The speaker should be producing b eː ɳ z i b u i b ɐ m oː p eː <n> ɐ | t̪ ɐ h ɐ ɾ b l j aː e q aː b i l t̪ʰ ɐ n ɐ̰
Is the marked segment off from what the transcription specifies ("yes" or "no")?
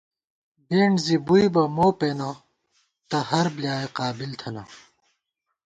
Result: no